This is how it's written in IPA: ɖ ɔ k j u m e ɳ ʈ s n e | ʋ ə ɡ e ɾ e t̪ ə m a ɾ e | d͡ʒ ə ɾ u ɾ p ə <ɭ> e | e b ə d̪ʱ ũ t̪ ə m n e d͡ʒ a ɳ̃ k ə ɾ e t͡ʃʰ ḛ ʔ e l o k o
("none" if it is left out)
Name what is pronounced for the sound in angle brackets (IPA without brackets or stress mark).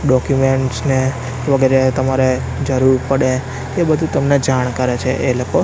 ɽ